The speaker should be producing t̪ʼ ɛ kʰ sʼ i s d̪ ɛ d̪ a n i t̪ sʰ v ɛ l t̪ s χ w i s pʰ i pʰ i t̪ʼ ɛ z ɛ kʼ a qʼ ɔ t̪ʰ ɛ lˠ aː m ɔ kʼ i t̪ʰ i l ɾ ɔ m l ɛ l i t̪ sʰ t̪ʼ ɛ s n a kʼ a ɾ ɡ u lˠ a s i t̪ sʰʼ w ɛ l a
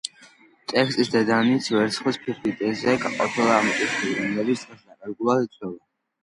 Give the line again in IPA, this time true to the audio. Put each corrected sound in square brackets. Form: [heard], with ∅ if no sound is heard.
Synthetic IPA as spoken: t̪ʼ ɛ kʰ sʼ i s d̪ ɛ d̪ a n i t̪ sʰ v ɛ [ɾ] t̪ s χ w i s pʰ i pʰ i t̪ʼ ɛ z ɛ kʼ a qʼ ɔ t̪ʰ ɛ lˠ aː m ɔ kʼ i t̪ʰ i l ɾ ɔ m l ɛ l i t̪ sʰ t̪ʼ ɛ s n a kʼ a ɾ ɡ u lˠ a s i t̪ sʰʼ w ɛ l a

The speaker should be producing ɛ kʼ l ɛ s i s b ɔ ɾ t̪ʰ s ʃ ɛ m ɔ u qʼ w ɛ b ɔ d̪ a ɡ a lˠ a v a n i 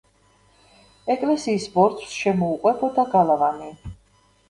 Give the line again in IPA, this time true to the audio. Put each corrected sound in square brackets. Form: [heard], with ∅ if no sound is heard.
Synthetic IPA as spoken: ɛ kʼ l ɛ s [iː] s b ɔ ɾ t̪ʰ s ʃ ɛ m ɔ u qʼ w ɛ b ɔ d̪ a ɡ a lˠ a v a n i

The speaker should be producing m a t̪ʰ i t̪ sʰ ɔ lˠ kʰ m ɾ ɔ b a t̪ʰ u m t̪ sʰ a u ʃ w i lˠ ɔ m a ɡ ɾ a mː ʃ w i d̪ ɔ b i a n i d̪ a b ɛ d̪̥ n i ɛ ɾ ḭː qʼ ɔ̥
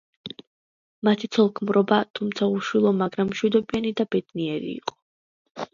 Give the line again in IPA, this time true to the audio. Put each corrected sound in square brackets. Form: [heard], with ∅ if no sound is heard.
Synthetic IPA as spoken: m a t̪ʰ i t̪ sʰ ɔ lˠ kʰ m ɾ ɔ b a t̪ʰ u m t̪ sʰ a u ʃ w i lˠ ɔ m a ɡ ɾ a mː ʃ w i d̪ ɔ b i a n i d̪ a b ɛ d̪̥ n i ɛ ɾ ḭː qʼ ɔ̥

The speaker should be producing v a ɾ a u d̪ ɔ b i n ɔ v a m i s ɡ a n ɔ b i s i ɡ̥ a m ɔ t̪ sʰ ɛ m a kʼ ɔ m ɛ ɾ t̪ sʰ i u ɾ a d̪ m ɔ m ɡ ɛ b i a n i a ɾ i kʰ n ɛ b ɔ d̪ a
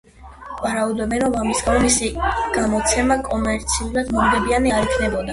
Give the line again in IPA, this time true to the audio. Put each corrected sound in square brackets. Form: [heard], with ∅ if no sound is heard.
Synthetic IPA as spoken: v a ɾ a u d̪ ɔ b [ɛ] n ɔ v a m i s ɡ a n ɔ [m] i s i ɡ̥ a m ɔ t̪ sʰ ɛ m a kʼ ɔ m ɛ ɾ t̪ sʰ i u ɾ a d̪ m ɔ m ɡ ɛ b i a n i a ɾ i kʰ n ɛ b ɔ d̪ a

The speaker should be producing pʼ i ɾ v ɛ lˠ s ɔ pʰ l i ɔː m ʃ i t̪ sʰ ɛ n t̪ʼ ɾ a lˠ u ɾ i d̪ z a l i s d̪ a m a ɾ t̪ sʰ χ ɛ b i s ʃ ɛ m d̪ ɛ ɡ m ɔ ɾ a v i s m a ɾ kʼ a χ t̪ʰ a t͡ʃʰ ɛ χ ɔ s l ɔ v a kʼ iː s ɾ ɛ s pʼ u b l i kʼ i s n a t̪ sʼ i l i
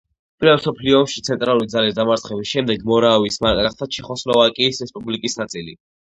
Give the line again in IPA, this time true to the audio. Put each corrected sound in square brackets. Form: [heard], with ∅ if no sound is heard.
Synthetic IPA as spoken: pʼ i ɾ v ɛ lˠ s ɔ pʰ l i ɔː m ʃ i t̪ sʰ ɛ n t̪ʼ ɾ a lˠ u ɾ i d̪ z a l i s d̪ a m a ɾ t̪ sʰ χ ɛ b i s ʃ ɛ m d̪ ɛ ɡ m ɔ ɾ a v i s m a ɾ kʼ a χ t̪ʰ a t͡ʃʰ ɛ χ ɔ s l ɔ v a kʼ iː s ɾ ɛ s pʼ u b l i kʼ i s n a t̪ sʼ i l i

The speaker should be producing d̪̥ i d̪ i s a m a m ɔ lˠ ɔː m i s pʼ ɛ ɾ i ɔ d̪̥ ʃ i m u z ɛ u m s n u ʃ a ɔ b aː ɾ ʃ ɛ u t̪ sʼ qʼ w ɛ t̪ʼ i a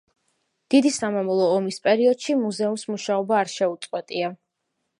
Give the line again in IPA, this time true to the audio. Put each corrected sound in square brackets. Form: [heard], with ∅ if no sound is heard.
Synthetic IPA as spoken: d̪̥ i d̪ i s a m a m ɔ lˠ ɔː m i s pʼ ɛ ɾ i ɔ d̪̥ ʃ i m u z ɛ u m s [m] u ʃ a ɔ b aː ɾ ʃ ɛ u t̪ sʼ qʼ w ɛ t̪ʼ i a

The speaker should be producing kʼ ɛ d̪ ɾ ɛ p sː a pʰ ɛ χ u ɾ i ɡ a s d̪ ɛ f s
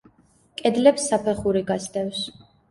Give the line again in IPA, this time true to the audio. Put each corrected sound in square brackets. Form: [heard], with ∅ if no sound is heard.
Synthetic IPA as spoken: kʼ ɛ d̪ [l] ɛ p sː a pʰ ɛ χ u ɾ i ɡ a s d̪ ɛ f s

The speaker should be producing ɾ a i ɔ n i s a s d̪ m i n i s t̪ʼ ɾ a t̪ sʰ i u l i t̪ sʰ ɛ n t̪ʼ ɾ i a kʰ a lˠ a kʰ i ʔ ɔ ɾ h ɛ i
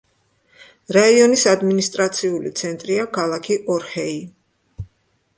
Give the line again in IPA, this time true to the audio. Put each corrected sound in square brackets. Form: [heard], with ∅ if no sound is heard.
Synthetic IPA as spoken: ɾ a i ɔ n i s a [∅] d̪ m i n i s t̪ʼ ɾ a t̪ sʰ i u l i t̪ sʰ ɛ n t̪ʼ ɾ i a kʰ a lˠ a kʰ i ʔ ɔ ɾ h ɛ i

